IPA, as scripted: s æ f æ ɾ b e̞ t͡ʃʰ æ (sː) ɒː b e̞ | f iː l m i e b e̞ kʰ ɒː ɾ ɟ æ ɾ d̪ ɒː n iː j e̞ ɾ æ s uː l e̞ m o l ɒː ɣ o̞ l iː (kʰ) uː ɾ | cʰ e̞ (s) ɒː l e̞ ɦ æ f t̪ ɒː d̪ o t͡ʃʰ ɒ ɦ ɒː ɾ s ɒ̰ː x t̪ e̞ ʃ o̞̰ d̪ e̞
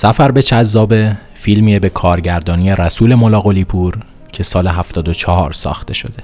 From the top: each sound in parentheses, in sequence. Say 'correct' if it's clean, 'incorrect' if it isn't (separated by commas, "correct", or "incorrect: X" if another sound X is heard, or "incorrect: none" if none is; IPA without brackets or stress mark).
incorrect: zː, incorrect: pʰ, correct